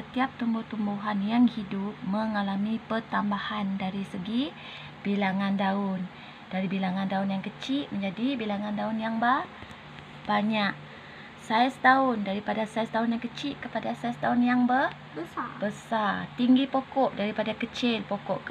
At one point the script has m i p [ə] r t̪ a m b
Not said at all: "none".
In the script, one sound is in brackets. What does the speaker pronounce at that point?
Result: ə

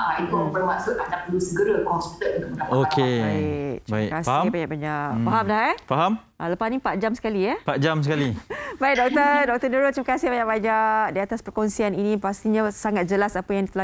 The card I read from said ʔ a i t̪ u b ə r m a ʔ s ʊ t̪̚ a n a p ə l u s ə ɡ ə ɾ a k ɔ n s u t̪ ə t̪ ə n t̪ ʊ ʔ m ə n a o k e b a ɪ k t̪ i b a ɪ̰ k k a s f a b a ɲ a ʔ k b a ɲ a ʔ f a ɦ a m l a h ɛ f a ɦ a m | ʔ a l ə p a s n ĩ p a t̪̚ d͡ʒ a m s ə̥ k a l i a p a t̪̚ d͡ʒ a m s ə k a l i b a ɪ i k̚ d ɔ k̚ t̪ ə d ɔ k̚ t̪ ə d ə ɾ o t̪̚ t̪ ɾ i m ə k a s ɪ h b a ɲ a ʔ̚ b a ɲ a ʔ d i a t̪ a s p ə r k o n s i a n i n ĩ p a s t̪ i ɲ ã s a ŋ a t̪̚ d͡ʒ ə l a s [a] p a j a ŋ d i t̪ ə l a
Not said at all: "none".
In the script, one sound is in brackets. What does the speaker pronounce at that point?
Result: a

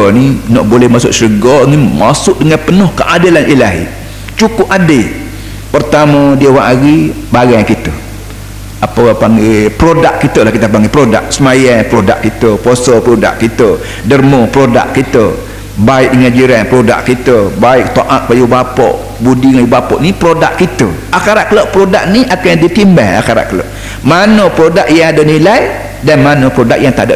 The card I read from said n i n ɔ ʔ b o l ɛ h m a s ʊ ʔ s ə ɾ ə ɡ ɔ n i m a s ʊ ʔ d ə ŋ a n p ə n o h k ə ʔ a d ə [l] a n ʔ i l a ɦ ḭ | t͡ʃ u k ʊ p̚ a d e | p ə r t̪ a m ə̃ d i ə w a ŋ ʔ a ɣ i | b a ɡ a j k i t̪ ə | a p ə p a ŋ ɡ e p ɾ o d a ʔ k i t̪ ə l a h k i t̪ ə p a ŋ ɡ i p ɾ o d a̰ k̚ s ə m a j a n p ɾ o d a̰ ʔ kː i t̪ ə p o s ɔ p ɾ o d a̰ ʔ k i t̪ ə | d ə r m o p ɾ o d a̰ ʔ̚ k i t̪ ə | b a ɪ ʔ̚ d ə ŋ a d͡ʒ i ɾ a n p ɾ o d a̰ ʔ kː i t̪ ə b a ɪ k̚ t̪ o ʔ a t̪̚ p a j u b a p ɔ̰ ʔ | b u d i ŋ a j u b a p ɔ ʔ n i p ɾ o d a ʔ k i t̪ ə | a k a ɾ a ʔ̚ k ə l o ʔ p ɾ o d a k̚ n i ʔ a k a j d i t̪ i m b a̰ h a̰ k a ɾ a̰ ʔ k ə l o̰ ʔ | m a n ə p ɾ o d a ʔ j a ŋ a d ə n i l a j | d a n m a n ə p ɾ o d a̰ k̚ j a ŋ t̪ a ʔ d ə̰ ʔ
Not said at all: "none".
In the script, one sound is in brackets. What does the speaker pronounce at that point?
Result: l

